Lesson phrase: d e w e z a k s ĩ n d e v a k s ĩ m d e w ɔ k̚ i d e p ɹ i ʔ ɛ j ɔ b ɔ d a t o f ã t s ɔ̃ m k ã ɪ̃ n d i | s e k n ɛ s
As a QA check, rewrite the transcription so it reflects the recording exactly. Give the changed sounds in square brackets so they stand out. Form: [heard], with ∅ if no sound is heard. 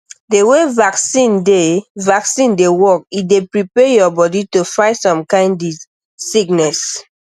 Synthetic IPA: d e w e [v] a k s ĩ n d e v a k s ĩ [n] d e w ɔ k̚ i d e p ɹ i [p] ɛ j ɔ b ɔ d [i] t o f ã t s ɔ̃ m k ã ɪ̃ n d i | s [i] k n ɛ s